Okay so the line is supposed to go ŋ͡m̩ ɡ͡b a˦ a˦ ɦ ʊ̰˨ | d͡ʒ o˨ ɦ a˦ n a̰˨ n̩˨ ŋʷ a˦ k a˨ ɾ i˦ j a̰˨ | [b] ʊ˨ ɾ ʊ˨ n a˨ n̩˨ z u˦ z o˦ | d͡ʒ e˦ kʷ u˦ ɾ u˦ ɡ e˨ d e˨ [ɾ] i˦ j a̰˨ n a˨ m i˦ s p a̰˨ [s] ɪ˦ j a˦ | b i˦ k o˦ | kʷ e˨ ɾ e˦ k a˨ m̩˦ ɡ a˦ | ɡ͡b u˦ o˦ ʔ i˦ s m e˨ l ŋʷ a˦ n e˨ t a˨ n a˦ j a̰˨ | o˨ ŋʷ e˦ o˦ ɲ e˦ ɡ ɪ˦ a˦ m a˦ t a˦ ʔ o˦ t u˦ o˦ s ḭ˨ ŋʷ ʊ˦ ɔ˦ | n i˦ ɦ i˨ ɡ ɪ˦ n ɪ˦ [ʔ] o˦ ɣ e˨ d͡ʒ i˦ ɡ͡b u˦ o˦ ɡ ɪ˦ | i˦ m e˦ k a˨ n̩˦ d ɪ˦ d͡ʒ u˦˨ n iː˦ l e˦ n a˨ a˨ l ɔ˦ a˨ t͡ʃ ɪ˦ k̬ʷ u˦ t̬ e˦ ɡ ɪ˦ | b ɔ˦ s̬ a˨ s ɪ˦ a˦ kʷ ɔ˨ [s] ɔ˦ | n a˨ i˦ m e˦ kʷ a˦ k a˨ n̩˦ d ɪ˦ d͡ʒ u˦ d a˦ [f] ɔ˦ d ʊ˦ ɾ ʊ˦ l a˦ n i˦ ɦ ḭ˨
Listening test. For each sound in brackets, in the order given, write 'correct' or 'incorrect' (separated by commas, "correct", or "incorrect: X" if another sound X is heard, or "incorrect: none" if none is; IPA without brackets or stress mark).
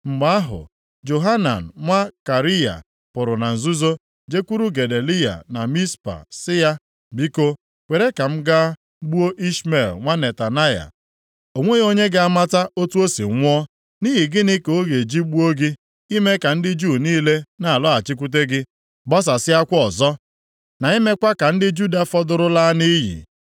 incorrect: p, incorrect: l, correct, incorrect: k, incorrect: z, correct